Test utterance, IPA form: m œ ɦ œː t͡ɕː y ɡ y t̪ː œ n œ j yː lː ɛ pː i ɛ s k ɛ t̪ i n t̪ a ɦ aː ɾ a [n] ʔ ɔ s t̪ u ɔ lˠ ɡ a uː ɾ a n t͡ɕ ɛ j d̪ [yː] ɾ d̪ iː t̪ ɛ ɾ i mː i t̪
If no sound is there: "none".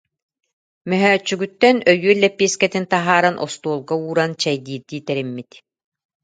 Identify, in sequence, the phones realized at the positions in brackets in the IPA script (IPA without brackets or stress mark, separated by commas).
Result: n, iː